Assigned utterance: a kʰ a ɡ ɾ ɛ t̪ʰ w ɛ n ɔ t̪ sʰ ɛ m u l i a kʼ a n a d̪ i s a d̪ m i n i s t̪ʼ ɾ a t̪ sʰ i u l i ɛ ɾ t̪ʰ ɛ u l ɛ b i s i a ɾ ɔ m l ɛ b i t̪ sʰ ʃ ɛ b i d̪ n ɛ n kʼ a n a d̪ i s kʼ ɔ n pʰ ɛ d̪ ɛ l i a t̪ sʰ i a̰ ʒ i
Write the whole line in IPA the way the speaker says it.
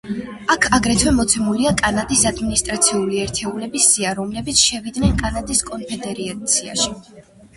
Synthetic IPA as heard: a kʰ a ɡ ɾ ɛ t̪ʰ w ɛ m ɔ t̪ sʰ ɛ m u l i a kʼ a n a d̪ i s a d̪ m i n i s t̪ʼ ɾ a t̪ sʰ i u l i ɛ ɾ t̪ʰ ɛ u l ɛ b i s i a ɾ ɔ m l ɛ b i t̪ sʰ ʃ ɛ v i d̪ n ɛ n kʼ a n a d̪ i s kʼ ɔ n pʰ ɛ d̪ ɛ ɾ i a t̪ sʰ i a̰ ʃ i